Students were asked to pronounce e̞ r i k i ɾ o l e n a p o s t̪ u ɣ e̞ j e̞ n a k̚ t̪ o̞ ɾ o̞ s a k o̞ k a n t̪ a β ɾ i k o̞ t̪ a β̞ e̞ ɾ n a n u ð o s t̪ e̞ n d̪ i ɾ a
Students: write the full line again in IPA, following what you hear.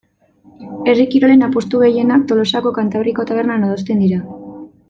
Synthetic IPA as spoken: e̞ r i k i ɾ o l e n a p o s t̪ u ɣ e̞ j e̞ n a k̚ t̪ o̞ l o̞ s a k o̞ k a n t̪ a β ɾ i k o̞ t̪ a β̞ e̞ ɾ n a n o ð o s t̪ e̞ n d̪ i ɾ a

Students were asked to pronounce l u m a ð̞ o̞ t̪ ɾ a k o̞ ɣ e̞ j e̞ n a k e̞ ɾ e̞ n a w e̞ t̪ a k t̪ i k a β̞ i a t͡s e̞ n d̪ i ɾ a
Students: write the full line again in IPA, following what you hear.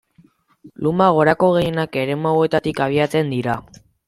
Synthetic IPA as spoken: l u m a ɣ̞ o̞ ɾ a k o̞ ɣ e̞ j e̞ n a k e̞ ɾ e̞ m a w e̞ t̪ a t̪ i k a β̞ i a t͡s e̞ n d̪ i ɾ a

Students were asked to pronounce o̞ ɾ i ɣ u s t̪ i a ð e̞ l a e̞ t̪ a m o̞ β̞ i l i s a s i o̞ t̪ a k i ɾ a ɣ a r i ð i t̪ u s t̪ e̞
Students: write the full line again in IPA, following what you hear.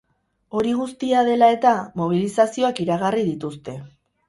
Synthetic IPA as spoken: o̞ ɾ i ɣ u s t̪ i a ð e̞ l a e̞ t̪ a m o̞ β̞ i l i s a s i o̞ a k i ɾ a ɣ a r i ð i t̪ u s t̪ e̞

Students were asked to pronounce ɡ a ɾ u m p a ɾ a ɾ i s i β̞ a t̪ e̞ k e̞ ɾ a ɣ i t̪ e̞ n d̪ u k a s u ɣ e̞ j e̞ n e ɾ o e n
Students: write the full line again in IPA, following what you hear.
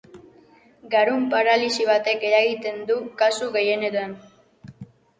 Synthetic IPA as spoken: ɡ a ɾ u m p a ɾ a l i s i β̞ a t̪ e̞ k e̞ ɾ a ɣ i t̪ e̞ n d̪ u k a s u ɣ e̞ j e̞ n e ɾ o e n

